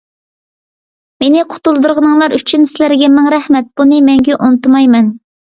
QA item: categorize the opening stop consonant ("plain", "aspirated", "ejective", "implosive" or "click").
aspirated